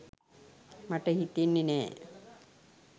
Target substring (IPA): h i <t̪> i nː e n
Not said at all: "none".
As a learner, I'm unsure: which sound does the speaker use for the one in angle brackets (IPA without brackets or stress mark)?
t̪